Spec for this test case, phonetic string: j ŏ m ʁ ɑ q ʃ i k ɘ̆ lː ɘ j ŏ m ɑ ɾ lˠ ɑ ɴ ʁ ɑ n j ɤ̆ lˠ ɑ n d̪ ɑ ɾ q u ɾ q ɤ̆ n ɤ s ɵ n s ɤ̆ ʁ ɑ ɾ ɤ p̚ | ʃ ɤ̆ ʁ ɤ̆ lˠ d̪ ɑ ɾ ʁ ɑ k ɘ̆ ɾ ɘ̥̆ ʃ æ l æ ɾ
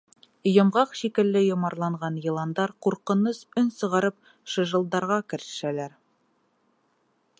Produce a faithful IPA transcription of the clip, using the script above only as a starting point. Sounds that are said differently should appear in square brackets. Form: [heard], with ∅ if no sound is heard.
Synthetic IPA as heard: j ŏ m ʁ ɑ q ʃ i k ɘ̆ lː ɘ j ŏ m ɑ ɾ lˠ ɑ ɴ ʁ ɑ n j ɤ̆ lˠ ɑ n d̪ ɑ ɾ q u ɾ q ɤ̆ n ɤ s ɵ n s ɤ̆ ʁ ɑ ɾ ɤ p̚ | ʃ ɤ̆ [ʒ] ɤ̆ lˠ d̪ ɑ ɾ ʁ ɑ k ɘ̆ ɾ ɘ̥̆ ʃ æ l æ ɾ